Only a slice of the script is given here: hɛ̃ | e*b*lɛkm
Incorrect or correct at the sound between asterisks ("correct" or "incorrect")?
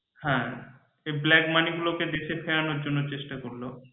correct